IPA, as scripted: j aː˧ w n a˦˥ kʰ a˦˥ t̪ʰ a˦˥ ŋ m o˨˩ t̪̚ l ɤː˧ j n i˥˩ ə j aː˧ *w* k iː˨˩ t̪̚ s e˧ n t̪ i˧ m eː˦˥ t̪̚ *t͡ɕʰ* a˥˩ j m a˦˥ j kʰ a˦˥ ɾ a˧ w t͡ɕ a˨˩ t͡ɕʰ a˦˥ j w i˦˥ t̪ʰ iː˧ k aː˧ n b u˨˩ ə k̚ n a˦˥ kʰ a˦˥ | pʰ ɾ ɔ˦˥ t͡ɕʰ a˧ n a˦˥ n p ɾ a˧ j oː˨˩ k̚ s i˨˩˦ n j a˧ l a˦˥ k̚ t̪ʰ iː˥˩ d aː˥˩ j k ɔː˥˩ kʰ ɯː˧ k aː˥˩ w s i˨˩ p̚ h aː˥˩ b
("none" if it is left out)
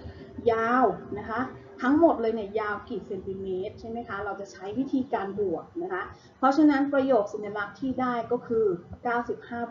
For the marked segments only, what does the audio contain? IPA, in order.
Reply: w, t͡ɕʰ

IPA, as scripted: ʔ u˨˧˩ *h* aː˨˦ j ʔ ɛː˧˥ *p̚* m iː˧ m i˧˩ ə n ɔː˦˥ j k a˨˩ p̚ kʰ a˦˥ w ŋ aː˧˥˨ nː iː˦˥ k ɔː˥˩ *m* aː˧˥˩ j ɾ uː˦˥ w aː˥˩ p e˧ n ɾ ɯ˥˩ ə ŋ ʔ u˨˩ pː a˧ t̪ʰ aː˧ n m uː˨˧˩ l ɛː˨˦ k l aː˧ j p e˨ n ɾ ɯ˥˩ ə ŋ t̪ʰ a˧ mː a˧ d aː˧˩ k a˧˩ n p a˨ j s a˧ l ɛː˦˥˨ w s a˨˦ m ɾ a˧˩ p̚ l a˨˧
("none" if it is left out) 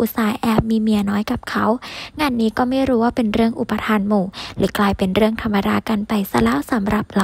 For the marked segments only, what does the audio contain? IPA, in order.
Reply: s, p̚, m

